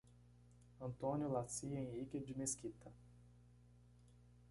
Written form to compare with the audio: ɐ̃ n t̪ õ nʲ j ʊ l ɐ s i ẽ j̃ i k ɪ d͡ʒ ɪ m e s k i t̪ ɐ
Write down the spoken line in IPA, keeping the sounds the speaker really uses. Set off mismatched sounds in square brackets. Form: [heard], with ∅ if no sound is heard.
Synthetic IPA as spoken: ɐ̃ n t̪ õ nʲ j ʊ l [a] s i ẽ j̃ i k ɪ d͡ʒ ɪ m e s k i t̪ ɐ